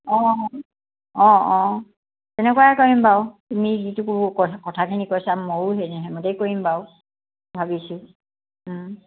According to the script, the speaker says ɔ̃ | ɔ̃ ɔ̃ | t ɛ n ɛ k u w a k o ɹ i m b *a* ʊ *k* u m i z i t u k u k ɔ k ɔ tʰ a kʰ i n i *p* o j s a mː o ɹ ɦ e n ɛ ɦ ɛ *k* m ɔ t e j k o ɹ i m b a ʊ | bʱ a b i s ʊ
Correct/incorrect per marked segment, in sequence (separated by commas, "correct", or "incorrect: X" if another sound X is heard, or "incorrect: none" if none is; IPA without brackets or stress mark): correct, incorrect: t, incorrect: k, incorrect: none